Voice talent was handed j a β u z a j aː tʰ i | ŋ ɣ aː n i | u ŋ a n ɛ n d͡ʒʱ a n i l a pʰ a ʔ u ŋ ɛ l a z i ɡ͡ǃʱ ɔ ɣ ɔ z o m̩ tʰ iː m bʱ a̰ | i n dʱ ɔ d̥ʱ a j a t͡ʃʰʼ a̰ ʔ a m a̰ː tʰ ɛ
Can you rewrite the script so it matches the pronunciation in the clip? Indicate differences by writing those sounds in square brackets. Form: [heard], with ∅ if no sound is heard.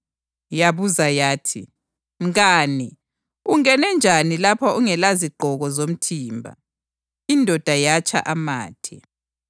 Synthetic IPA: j a β u z a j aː tʰ i | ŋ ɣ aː n i | u ŋ [ɛ] n ɛ n d͡ʒʱ a n i l a pʰ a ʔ u ŋ ɛ l a z i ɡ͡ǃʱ ɔ ɣ ɔ z o m̩ tʰ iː m bʱ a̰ | i n dʱ ɔ d̥ʱ a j a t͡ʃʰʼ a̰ ʔ a m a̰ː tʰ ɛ